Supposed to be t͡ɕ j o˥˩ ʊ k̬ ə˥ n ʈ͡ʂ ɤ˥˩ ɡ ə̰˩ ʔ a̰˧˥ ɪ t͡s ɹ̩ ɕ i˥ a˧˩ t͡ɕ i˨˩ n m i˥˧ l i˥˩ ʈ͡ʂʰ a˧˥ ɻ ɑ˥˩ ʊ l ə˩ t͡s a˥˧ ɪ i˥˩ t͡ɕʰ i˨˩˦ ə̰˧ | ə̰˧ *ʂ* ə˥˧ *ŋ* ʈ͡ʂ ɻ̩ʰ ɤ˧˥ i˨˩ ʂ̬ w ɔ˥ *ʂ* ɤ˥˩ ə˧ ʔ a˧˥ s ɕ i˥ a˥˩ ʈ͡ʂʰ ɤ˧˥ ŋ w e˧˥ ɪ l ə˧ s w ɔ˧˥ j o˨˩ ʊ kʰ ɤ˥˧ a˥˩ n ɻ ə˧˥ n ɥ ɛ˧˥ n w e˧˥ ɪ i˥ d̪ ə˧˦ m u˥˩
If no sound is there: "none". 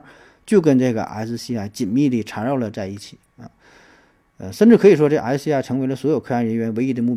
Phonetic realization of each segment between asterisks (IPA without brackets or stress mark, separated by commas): ʂ, n, ʈ͡ʂ